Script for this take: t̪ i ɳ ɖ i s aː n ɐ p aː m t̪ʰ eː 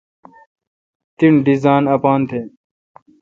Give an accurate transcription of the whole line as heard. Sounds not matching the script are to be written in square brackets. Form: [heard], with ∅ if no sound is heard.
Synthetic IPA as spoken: t̪ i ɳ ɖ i [z] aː n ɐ p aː [n] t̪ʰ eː